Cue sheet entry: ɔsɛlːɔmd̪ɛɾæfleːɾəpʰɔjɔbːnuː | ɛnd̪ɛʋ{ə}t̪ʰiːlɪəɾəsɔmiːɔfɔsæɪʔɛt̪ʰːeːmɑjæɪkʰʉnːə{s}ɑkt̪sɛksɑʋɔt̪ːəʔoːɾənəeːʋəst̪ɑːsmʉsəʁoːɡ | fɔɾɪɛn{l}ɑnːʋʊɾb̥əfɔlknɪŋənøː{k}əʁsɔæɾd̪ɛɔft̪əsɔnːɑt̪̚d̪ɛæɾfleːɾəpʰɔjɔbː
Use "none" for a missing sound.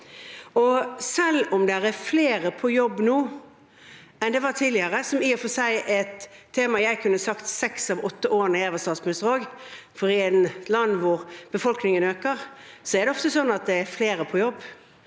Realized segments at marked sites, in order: ɑ, s, l, k

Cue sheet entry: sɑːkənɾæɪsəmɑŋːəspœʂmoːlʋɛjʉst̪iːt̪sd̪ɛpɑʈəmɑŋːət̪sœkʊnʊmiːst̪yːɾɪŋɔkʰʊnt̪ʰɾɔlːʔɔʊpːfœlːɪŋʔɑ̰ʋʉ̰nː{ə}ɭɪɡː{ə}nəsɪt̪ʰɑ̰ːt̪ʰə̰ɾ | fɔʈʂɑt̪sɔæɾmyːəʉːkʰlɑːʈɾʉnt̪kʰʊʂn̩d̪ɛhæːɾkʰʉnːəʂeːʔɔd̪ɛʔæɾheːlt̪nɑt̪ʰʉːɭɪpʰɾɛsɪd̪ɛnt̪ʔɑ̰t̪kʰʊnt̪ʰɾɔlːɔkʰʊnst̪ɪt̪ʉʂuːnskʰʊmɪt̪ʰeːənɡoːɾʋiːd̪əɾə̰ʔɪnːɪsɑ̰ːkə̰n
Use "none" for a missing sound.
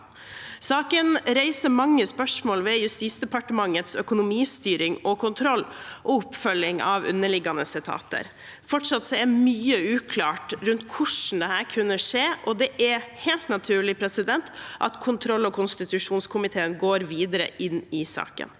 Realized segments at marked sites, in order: ə, ɑ

